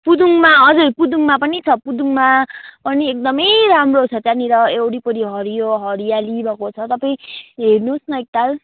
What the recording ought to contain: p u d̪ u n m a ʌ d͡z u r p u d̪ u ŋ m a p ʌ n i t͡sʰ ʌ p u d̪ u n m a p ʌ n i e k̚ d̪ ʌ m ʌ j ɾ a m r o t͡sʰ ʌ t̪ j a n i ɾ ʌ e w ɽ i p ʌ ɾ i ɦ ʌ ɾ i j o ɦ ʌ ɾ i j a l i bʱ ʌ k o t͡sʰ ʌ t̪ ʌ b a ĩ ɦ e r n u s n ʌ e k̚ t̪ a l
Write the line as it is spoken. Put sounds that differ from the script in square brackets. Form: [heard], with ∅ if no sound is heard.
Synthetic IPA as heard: p u d̪ u [ŋ] m a ʌ d͡z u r p u d̪ u ŋ m a p ʌ n i t͡sʰ ʌ p u d̪ u [ŋ] m a p ʌ n i e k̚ d̪ ʌ m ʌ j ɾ a m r o t͡sʰ ʌ t̪ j a n i ɾ ʌ e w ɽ i p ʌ ɾ i ɦ ʌ ɾ i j o ɦ ʌ ɾ i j a l i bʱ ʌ k o t͡sʰ ʌ t̪ ʌ [p] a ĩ ɦ e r n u s n ʌ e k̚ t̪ a l

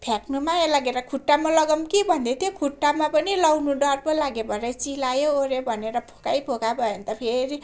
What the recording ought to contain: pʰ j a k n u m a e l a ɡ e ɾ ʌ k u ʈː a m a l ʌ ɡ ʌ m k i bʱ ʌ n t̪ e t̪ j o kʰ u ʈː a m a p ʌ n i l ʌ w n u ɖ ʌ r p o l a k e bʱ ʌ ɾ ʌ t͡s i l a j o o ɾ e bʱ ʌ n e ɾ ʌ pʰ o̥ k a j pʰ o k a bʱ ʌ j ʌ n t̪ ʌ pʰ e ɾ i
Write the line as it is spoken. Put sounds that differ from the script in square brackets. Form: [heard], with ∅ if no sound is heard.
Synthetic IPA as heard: pʰ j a k n u m a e l a ɡ e ɾ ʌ [kʰ] u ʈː a m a l ʌ ɡ ʌ m k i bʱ ʌ n [d̪] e t̪ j o kʰ u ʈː a m a p ʌ n i l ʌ w n u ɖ ʌ r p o l a [ɡ] e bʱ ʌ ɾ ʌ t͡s i l a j o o ɾ e bʱ ʌ n e ɾ ʌ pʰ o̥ k a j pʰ o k a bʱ ʌ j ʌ n t̪ ʌ pʰ e ɾ i

